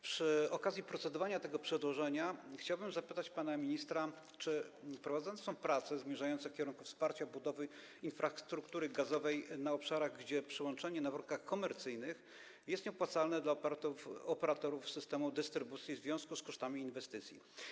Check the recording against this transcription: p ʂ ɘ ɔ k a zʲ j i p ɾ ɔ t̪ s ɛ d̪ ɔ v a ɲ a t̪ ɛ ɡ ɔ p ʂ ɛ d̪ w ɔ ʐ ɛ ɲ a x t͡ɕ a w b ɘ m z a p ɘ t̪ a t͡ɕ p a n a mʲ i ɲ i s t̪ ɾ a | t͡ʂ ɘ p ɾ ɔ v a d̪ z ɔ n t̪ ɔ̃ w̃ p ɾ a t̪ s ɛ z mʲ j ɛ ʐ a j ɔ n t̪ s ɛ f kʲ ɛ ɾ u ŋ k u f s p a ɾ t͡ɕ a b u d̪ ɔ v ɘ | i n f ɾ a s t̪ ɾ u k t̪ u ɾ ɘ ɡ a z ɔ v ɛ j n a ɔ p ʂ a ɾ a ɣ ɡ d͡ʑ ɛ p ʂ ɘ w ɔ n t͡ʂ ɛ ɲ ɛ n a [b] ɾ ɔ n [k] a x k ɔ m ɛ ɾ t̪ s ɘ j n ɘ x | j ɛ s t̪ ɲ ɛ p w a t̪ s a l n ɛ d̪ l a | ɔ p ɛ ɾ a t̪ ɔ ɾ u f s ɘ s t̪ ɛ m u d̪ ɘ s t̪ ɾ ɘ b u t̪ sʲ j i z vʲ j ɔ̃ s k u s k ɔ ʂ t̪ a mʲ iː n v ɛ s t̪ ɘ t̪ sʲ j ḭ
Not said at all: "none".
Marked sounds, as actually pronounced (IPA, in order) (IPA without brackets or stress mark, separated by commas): v, k